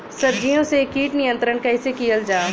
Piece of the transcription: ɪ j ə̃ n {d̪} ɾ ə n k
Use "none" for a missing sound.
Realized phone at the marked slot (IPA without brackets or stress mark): t̪